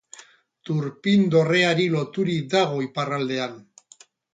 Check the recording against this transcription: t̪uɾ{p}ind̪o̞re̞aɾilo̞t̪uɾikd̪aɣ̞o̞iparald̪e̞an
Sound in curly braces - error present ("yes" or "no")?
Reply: no